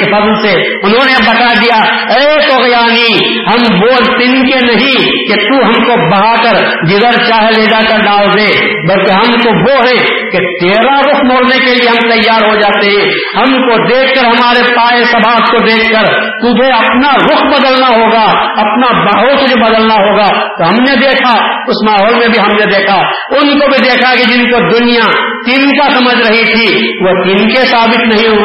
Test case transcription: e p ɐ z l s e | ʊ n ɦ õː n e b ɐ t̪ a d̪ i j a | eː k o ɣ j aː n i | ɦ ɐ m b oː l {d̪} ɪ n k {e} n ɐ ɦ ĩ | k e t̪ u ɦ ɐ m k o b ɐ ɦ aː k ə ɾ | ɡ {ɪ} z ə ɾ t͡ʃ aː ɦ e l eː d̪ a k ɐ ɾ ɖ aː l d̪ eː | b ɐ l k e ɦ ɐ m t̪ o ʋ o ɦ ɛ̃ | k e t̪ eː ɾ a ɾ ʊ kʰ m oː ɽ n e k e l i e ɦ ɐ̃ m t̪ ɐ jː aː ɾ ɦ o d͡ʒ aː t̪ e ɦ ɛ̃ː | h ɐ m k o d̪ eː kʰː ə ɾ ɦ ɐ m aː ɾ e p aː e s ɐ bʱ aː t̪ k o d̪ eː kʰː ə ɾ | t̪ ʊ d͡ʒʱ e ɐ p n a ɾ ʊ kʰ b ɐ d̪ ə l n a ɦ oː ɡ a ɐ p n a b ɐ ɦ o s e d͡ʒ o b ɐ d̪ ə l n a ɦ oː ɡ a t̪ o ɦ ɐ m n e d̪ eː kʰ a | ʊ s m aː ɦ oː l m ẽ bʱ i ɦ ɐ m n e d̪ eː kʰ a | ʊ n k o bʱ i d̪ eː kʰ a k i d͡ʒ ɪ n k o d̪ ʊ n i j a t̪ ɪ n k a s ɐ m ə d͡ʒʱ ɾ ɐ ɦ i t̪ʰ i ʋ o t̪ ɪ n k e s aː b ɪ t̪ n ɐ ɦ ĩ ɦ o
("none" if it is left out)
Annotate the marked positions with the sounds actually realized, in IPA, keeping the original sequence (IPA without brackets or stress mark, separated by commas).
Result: t̪, e, ɪ